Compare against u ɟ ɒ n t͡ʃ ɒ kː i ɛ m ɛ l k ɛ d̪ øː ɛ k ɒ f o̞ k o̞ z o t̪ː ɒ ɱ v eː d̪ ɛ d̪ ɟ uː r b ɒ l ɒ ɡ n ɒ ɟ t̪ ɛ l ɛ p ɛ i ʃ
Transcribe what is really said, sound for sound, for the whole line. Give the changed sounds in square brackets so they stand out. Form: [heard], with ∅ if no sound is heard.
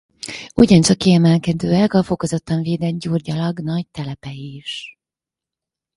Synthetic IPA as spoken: u ɟ ɒ n t͡ʃ ɒ kː i ɛ m ɛ l k ɛ d̪ øː ɛ k ɒ f o̞ k o̞ z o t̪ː ɒ ɱ v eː d̪ ɛ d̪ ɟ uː r [ɟ] ɒ l ɒ ɡ n ɒ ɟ t̪ ɛ l ɛ p ɛ i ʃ